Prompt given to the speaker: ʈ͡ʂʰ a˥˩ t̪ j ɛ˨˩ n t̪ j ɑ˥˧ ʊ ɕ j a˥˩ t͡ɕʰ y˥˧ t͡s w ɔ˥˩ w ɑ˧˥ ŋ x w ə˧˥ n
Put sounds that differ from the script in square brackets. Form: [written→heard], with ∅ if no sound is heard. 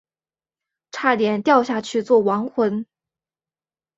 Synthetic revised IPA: ʈ͡ʂʰ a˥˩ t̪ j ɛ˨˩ n t̪ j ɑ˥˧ ʊ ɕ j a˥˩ t͡ɕʰ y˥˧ t͡s w ɔ˥˩ w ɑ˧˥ ŋ x w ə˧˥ n